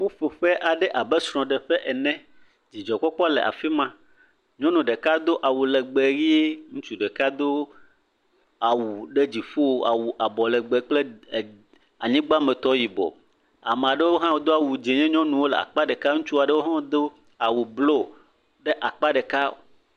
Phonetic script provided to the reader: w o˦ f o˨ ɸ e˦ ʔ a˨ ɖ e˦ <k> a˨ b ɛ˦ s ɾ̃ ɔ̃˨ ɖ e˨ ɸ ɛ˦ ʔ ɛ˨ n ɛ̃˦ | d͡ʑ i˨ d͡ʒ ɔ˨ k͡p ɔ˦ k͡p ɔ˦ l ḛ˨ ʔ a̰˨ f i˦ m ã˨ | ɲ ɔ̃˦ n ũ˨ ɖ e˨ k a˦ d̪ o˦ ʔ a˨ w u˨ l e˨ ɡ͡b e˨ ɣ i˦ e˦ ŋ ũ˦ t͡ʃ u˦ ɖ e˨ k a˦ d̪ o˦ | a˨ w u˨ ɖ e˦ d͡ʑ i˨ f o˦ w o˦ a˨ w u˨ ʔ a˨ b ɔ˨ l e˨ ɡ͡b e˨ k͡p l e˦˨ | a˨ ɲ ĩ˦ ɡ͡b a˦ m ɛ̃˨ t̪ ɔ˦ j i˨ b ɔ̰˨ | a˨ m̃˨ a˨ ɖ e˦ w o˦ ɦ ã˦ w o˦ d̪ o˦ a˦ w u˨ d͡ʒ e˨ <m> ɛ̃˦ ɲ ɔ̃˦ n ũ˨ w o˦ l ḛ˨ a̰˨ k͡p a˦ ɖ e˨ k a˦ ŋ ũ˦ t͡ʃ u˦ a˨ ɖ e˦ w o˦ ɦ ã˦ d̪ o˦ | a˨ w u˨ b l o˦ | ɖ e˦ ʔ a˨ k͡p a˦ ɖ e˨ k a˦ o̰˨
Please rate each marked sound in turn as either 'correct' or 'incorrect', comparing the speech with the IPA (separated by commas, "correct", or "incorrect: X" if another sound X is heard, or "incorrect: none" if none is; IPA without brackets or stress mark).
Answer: incorrect: ʔ, incorrect: ɲ